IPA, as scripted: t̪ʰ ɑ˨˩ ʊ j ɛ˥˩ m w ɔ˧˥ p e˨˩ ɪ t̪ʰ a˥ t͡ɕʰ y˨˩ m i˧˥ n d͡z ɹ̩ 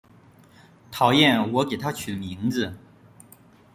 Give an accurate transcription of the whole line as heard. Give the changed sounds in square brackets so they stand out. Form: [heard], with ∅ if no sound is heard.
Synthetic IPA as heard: t̪ʰ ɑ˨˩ ʊ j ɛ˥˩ [n] w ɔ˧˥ [k] e˨˩ ɪ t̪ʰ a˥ t͡ɕʰ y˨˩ m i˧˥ [ŋ] d͡z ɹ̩